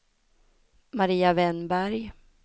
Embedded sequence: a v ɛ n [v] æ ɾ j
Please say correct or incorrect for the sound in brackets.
incorrect